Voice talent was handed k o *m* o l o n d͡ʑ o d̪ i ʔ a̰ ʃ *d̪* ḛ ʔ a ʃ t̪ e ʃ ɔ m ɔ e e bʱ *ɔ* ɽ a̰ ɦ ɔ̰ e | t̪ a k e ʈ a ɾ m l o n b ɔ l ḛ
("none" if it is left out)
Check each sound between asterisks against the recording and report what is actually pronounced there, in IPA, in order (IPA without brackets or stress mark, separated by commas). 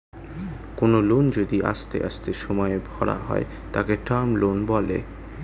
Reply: n, t̪, ɔ